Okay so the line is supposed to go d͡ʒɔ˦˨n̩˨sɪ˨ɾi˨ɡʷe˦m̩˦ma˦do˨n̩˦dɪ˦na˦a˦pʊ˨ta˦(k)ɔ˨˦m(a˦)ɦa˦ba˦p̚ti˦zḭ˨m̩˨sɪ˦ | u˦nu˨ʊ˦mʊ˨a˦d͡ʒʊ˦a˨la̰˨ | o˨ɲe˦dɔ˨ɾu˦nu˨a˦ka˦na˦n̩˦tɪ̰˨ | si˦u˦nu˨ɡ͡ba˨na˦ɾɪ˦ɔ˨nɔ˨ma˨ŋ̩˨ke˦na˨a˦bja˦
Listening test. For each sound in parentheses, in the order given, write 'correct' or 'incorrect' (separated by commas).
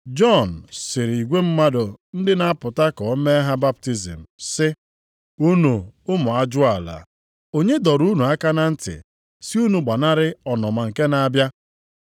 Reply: correct, incorrect